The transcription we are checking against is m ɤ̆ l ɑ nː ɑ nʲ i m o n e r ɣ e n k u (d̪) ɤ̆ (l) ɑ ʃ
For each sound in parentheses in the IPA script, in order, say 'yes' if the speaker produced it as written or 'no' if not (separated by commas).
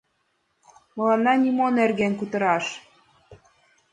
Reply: no, no